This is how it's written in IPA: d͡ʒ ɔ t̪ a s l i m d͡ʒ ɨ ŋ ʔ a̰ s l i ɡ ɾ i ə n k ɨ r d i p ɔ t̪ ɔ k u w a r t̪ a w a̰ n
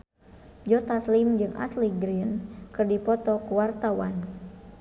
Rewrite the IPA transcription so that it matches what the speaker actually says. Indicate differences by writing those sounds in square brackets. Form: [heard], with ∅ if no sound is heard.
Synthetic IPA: d͡ʒ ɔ t̪ a s l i m d͡ʒ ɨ ŋ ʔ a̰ s l i ɡ ɾ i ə n k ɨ r d i p ɔ t̪ ɔ k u w a r t̪ a w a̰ n